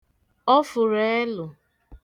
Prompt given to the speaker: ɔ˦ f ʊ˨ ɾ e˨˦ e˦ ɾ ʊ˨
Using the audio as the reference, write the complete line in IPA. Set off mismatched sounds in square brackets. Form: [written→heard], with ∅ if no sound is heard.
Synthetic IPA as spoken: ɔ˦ f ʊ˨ ɾ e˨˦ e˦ [ɾ→l] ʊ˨